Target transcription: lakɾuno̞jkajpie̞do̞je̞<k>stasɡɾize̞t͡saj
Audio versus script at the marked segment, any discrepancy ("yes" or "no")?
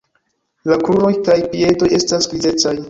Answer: yes